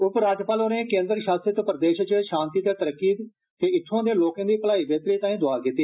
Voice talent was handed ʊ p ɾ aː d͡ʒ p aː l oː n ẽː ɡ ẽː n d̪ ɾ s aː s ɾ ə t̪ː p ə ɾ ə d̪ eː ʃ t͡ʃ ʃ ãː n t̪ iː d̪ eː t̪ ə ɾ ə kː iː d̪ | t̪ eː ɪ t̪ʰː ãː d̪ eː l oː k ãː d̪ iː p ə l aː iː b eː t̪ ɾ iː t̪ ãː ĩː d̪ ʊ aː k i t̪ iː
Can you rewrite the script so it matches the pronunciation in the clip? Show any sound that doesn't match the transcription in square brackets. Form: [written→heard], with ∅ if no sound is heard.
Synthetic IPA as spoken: ʊ p ɾ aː d͡ʒ p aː l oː n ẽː [ɡ→k] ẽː n d̪ ɾ [s→ʃ] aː s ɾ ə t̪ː p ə ɾ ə d̪ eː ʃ t͡ʃ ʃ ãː n t̪ iː [d̪→t̪] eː t̪ ə ɾ ə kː iː d̪ | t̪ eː ɪ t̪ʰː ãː d̪ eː l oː k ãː d̪ iː p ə l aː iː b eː t̪ ɾ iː t̪ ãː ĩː d̪ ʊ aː k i t̪ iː